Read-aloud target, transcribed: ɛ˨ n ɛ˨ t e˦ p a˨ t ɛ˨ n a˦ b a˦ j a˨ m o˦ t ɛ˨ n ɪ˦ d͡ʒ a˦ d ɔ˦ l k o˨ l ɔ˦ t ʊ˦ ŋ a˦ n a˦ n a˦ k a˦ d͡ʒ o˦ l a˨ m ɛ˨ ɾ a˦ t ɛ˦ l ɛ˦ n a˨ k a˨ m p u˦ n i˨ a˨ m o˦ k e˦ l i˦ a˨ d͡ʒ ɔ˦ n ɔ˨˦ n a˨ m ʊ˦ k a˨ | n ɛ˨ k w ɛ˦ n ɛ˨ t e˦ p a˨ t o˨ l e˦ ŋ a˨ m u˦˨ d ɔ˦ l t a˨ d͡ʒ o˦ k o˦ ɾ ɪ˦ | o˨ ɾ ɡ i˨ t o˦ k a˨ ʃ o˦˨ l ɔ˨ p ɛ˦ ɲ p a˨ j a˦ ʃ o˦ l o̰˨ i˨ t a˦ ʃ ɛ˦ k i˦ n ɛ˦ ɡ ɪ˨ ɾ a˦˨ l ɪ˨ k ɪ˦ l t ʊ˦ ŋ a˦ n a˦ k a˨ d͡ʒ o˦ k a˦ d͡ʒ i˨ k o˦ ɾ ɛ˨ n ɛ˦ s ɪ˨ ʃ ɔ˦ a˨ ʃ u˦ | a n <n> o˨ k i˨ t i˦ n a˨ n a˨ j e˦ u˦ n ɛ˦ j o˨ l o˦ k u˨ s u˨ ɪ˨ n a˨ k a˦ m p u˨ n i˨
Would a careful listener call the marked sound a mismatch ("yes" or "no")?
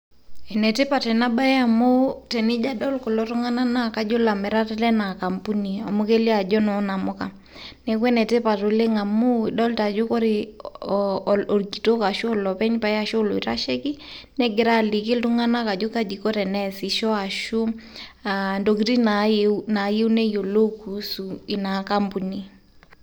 yes